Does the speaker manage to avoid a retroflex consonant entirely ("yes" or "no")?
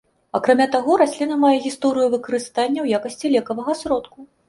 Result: yes